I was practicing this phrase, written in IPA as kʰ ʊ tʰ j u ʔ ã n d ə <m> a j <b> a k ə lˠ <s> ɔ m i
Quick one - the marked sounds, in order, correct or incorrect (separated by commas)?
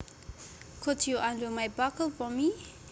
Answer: correct, correct, incorrect